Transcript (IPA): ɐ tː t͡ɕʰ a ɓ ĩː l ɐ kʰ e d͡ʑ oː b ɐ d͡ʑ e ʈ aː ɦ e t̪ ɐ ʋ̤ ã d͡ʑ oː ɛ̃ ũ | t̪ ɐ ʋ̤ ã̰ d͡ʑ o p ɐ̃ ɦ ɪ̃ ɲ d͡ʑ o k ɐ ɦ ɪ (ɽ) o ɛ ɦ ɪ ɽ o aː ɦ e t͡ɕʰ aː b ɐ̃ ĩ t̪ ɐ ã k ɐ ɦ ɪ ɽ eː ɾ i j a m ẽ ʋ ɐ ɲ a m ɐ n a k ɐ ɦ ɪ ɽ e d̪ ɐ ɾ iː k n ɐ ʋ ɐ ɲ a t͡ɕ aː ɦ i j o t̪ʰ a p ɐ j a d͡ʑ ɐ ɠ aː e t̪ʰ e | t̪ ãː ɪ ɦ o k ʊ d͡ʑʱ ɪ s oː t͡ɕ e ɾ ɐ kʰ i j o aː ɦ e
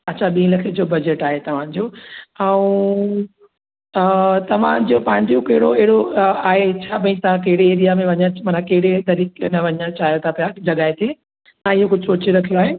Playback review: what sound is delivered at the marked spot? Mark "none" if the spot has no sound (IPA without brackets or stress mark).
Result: ɽ